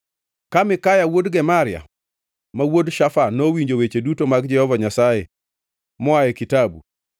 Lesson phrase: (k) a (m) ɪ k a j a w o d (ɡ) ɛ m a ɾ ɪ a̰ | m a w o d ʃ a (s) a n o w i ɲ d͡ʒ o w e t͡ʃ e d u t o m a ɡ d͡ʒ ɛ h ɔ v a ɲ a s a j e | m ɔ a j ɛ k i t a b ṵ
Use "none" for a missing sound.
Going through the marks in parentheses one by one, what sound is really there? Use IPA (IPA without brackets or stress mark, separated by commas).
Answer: k, m, ɡ, f